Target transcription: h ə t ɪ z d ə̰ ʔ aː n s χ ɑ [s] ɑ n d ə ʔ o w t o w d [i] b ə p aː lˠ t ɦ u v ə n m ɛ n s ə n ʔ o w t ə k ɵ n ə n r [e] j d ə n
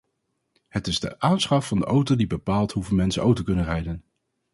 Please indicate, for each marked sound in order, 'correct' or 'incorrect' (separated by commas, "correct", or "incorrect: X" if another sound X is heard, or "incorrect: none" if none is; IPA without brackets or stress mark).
incorrect: f, correct, incorrect: ɛ